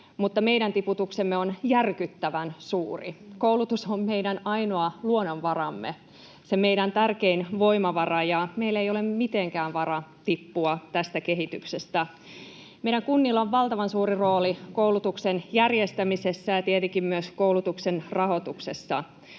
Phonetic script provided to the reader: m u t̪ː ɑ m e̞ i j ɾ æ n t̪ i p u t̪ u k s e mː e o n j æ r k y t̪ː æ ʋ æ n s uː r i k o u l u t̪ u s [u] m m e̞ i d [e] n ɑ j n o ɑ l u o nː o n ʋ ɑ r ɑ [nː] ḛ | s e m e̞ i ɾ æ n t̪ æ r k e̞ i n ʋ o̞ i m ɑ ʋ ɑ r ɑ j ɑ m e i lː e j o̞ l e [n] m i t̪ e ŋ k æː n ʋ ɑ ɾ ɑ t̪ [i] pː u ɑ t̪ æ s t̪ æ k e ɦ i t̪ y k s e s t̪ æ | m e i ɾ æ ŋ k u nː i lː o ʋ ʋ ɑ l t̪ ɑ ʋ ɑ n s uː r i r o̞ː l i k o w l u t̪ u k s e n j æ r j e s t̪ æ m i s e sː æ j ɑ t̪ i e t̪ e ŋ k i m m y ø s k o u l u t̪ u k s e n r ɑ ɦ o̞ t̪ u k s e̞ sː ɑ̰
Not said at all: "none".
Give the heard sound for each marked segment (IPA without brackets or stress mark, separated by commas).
o, æ, mː, m, i